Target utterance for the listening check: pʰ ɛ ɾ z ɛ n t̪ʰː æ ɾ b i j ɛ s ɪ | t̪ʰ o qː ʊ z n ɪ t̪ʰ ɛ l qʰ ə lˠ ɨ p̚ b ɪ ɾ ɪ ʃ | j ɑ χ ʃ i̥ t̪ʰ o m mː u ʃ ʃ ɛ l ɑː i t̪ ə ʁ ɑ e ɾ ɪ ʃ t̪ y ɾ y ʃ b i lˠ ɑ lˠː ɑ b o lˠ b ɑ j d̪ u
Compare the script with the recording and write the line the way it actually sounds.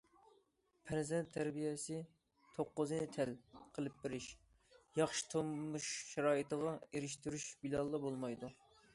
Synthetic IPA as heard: pʰ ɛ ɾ z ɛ n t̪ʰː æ ɾ b i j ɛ s ɪ | t̪ʰ o qː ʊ z n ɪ t̪ʰ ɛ l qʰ ə lˠ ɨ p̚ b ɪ ɾ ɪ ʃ | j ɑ χ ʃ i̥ t̪ʰ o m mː u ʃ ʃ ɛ ɾ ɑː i t̪ ə ʁ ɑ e ɾ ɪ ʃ t̪ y ɾ y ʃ b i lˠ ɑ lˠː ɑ b o lˠ m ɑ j d̪ u